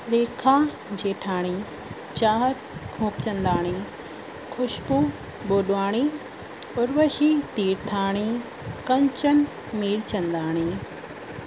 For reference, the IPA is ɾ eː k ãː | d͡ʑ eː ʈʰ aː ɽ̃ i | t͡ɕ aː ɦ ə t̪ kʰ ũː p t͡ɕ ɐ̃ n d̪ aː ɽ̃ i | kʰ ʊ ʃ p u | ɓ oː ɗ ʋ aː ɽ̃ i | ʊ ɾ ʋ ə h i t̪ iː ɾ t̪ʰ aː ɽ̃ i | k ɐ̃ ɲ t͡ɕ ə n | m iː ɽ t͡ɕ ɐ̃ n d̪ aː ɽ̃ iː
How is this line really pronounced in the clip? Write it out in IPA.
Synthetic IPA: ɾ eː kʰ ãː | d͡ʑ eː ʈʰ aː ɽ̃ i | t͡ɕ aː ɦ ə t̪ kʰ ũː p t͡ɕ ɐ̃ n d̪ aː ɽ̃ i | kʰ ʊ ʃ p u | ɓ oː ɗ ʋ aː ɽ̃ i | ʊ ɾ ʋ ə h i t̪ iː ɾ t̪ʰ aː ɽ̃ i | k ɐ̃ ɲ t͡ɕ ə n | m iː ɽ t͡ɕ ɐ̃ n d̪ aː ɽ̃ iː